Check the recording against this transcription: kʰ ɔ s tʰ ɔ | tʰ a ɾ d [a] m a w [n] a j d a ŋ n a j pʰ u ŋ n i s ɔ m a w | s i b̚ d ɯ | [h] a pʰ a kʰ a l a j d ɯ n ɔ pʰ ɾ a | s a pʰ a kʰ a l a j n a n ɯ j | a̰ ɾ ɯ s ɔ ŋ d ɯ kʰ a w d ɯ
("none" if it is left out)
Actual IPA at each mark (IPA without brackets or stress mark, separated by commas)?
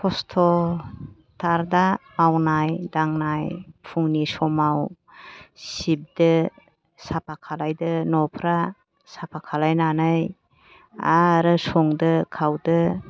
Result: a, n, s